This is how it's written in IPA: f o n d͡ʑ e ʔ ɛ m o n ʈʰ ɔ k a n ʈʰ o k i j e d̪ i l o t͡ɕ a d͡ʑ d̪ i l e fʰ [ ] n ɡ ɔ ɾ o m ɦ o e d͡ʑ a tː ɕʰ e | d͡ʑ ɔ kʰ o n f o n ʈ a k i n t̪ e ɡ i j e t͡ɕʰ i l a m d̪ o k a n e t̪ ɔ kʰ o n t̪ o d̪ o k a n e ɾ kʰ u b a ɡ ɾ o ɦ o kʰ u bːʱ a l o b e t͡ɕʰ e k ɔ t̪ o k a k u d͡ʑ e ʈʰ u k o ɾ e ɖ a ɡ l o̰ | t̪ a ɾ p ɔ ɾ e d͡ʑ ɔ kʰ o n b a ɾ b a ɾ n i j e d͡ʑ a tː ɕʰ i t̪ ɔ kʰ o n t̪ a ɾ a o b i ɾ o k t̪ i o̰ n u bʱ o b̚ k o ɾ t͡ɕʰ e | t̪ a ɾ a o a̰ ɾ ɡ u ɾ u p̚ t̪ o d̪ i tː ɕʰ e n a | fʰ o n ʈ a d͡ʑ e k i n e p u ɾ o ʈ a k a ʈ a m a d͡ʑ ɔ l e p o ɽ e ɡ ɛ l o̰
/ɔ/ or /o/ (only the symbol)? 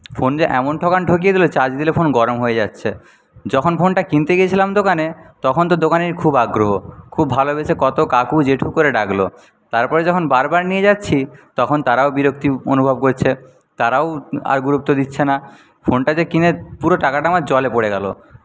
o